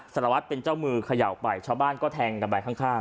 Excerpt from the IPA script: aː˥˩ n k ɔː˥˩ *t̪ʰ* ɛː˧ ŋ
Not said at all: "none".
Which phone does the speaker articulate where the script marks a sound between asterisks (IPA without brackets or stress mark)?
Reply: t̪ʰ